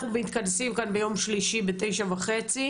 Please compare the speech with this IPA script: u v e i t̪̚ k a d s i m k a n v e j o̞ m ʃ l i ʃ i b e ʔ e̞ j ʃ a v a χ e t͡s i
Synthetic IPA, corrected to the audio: u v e i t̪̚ k a d s i m k a n b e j o̞ m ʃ l i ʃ i b e t e̞ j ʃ a v a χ e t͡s i